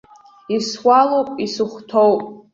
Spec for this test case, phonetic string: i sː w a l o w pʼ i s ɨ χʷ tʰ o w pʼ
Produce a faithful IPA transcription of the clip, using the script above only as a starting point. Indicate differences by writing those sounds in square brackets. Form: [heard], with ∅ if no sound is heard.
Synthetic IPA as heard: i [s] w a l o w pʼ i s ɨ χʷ tʰ o w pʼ